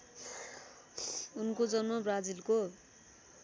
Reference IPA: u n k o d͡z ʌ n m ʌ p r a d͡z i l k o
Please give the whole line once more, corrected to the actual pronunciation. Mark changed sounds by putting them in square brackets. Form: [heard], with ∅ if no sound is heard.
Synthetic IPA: u n k o d͡z ʌ n m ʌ [b] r a d͡z i l k o